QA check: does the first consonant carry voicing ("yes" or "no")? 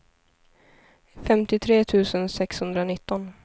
no